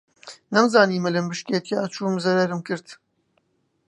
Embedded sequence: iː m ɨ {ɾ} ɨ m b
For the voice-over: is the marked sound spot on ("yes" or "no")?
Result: no